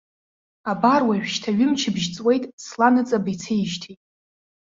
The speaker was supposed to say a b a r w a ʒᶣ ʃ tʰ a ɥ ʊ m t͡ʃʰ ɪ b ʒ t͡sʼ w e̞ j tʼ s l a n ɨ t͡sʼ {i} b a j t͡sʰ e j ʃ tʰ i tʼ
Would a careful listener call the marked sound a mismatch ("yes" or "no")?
yes